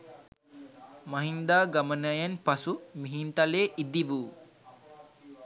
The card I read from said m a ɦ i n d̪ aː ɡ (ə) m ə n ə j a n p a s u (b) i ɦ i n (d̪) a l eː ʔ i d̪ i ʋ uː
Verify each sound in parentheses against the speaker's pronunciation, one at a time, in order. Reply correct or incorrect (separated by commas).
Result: incorrect, incorrect, incorrect